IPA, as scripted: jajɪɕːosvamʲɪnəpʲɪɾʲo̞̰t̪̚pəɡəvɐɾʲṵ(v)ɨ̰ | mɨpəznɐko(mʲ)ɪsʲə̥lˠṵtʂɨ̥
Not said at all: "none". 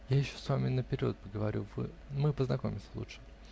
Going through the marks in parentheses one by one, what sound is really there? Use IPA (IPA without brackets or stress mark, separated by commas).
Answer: v, mʲ